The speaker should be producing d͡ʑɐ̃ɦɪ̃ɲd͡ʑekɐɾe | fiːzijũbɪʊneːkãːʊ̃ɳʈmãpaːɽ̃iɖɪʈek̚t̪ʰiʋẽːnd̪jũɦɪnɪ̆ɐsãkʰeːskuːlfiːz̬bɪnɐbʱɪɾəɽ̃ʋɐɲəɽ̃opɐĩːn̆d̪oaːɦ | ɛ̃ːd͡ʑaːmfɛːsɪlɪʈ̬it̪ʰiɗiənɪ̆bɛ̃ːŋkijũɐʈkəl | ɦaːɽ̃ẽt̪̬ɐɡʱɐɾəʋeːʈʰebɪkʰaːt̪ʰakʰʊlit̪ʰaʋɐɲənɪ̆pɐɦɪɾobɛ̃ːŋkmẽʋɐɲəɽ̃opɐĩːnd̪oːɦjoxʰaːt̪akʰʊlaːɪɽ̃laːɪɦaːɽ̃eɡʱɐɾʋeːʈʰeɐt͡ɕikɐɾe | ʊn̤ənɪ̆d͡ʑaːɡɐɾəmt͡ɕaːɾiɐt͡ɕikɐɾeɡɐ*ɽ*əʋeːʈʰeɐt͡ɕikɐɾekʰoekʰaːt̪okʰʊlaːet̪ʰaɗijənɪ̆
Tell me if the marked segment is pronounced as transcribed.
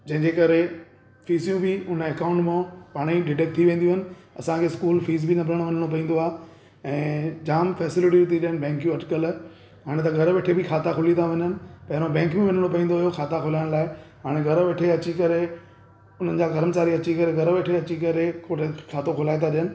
no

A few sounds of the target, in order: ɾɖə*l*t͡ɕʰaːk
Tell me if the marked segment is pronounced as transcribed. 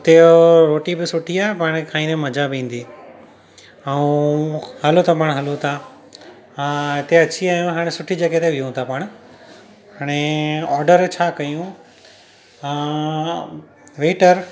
no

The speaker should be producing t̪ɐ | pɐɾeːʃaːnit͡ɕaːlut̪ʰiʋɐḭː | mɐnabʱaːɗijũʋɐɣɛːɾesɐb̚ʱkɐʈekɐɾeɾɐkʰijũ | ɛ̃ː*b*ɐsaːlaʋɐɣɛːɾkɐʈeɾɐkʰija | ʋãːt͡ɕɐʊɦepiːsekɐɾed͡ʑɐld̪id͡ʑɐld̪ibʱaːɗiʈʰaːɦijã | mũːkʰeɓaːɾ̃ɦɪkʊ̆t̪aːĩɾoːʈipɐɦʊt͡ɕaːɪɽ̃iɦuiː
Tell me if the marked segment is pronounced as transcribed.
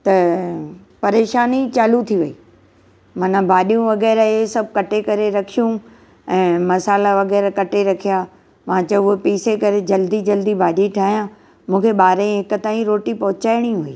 no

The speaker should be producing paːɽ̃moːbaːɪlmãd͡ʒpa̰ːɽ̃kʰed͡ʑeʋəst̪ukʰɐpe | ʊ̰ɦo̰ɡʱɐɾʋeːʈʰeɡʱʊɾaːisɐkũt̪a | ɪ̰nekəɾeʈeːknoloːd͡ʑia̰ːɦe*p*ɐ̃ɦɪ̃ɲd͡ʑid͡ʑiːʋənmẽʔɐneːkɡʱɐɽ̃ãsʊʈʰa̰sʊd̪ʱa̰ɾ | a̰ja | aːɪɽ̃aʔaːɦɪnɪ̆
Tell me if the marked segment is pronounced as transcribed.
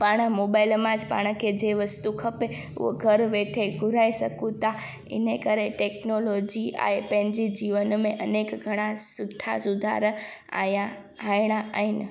yes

